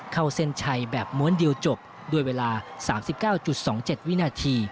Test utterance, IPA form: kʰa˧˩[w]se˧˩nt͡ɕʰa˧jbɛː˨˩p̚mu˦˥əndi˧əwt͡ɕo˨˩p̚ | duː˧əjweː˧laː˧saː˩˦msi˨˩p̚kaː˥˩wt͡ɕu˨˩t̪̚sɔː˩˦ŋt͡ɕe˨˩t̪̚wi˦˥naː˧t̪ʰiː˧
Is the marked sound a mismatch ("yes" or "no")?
no